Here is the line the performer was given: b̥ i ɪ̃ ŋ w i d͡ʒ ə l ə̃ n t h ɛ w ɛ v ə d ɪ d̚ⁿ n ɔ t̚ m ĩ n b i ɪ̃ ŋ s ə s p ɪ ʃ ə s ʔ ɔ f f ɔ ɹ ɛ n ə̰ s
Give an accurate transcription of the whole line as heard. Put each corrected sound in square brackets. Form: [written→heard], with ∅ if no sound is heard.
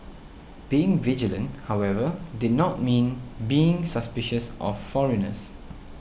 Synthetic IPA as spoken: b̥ i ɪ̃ ŋ [w→v] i d͡ʒ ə l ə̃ n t h [ɛ→a] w ɛ v ə d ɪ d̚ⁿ n ɔ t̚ m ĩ n b i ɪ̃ ŋ s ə s p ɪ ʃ ə s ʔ ɔ f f ɔ ɹ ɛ n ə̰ s